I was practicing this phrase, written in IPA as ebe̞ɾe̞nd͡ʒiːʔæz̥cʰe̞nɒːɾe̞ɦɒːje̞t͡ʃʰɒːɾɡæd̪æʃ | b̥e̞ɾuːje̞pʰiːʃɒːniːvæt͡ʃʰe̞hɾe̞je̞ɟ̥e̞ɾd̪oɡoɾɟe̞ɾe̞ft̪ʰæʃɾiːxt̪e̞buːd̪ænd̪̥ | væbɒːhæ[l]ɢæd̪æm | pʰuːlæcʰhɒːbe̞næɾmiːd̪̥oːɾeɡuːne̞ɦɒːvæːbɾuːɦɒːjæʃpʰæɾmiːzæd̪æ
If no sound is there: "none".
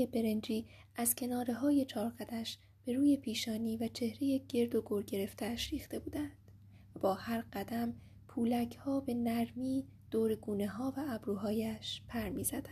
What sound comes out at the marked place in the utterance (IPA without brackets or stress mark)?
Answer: ɾ